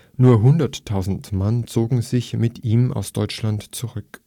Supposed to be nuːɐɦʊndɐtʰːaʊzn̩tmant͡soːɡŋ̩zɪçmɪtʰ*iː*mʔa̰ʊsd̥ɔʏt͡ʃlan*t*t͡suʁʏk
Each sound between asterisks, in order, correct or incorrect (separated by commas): correct, correct